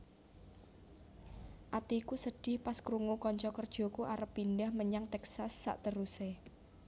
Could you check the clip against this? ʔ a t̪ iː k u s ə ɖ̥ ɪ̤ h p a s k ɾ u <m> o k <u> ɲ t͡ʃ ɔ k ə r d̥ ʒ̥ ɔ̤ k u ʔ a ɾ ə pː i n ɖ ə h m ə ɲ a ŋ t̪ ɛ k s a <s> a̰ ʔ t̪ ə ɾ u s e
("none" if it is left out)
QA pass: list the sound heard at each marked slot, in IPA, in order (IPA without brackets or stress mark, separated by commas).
ŋ, ɔ, sː